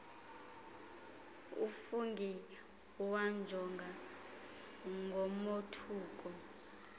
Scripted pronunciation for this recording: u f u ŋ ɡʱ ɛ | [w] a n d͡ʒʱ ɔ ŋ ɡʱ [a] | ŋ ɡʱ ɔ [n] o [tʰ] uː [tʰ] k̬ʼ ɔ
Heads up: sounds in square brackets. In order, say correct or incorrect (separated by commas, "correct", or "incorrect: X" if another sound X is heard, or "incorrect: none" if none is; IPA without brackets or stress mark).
correct, correct, incorrect: m, correct, incorrect: none